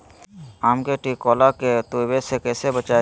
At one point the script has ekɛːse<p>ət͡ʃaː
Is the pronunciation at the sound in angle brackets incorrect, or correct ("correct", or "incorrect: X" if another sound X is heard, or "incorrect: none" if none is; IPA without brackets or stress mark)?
incorrect: b